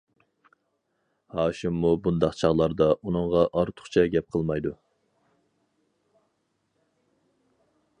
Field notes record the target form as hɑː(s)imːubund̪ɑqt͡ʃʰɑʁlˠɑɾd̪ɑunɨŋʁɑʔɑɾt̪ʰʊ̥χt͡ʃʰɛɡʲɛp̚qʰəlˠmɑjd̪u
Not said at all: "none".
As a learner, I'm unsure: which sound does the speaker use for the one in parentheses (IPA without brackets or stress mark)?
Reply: ʃ